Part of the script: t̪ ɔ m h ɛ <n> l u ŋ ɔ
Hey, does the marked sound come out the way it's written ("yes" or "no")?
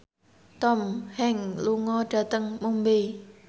no